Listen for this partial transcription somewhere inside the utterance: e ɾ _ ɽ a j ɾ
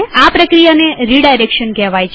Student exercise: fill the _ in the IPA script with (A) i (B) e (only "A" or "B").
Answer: A